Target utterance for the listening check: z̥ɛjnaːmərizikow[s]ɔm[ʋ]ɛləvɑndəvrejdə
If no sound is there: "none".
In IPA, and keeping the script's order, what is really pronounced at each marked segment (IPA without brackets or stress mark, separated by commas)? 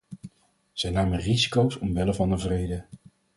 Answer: s, ʋ